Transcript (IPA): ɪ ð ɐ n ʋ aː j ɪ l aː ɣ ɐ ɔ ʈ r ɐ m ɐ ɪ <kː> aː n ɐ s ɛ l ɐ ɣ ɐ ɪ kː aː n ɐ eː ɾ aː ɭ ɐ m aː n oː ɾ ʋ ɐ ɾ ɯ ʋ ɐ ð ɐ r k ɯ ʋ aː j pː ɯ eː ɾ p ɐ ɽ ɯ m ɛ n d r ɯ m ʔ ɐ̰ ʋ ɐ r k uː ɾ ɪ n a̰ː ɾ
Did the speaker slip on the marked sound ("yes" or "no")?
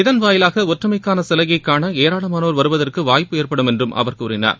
no